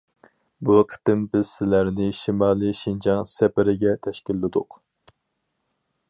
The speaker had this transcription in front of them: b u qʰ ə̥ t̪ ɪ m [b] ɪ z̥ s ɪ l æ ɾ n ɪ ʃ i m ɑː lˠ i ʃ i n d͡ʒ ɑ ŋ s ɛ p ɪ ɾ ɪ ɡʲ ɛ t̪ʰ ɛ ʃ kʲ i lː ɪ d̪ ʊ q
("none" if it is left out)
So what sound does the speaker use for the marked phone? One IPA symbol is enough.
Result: b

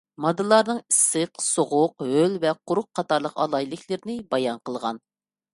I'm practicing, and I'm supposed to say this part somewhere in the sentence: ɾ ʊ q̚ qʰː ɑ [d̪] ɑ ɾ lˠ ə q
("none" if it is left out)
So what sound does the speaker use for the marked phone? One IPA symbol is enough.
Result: t̪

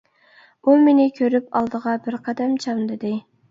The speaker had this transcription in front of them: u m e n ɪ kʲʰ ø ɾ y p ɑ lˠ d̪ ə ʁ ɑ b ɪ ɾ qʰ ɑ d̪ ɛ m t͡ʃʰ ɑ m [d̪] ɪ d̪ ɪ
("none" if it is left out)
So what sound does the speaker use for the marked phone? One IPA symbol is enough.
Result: d̪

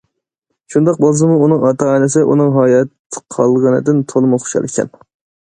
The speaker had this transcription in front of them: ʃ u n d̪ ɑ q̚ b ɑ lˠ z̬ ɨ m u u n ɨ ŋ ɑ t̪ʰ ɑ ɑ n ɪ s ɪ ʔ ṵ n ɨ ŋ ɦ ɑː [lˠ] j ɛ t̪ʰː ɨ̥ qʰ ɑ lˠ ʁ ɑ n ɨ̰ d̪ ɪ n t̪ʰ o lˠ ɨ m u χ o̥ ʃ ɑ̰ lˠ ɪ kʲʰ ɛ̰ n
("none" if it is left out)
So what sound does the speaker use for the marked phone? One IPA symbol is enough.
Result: none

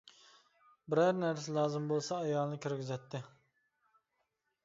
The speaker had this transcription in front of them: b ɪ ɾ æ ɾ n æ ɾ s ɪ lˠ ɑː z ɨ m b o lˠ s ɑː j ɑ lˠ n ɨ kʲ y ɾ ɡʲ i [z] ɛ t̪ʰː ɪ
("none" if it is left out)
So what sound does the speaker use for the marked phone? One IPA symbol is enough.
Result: z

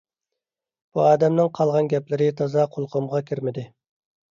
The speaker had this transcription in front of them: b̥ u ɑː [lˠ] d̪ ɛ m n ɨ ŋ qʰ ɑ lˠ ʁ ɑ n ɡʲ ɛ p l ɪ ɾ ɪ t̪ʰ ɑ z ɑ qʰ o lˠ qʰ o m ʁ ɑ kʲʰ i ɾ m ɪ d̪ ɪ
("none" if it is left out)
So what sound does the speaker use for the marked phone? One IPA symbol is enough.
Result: none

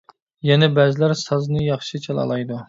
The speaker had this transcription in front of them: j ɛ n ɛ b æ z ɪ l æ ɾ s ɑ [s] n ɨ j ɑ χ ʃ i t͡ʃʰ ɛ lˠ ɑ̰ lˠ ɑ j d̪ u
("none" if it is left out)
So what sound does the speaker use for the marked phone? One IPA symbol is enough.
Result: z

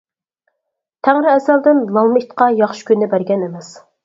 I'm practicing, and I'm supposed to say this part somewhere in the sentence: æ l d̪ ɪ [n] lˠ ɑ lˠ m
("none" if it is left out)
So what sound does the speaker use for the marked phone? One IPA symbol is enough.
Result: n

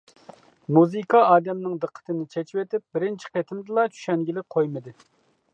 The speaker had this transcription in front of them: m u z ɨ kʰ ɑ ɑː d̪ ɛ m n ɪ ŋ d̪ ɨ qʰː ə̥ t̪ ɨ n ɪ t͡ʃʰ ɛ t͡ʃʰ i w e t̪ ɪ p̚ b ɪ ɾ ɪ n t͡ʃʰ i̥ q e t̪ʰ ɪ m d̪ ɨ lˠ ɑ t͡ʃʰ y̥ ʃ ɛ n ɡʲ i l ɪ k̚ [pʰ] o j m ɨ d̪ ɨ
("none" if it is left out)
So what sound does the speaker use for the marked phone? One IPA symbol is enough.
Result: qʰ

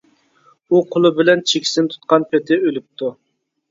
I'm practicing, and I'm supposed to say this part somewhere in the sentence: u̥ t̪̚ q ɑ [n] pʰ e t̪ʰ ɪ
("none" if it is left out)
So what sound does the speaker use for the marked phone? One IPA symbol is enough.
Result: n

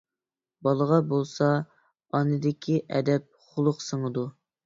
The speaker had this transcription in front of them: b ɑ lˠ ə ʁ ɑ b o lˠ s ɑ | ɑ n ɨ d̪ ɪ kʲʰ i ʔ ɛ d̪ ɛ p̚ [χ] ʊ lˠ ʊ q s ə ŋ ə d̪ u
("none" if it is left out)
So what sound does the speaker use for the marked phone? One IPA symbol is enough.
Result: χ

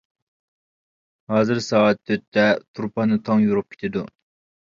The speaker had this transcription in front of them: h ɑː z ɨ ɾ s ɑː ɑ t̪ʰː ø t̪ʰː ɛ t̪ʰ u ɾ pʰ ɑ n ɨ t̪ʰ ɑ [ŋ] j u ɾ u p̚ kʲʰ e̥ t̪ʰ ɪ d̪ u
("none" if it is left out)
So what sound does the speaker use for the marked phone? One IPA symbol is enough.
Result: ŋ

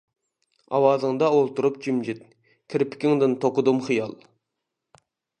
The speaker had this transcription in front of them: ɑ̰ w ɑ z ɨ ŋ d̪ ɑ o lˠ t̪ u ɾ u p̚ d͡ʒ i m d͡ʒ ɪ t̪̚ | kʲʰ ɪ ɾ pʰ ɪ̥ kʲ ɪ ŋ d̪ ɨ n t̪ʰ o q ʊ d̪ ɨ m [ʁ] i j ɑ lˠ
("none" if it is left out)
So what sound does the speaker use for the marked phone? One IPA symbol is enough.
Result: χ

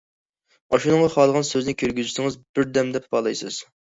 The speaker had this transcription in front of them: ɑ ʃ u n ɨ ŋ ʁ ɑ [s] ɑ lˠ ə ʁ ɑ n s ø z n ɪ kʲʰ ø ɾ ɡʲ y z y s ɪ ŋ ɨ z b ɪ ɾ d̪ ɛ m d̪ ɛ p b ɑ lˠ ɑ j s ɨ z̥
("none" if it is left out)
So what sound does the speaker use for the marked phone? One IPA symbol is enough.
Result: χ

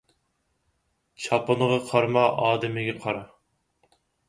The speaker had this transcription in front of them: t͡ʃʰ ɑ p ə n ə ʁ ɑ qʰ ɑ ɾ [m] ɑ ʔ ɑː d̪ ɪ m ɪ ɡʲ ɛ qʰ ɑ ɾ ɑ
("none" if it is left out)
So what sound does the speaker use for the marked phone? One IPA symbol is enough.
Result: m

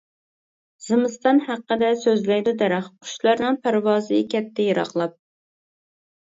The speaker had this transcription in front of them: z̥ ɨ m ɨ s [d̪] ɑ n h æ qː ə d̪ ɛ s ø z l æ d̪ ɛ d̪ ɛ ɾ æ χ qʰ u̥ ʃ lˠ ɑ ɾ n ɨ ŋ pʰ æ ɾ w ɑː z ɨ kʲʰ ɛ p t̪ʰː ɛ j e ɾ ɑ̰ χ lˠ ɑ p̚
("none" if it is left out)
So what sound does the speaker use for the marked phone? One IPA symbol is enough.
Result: t̪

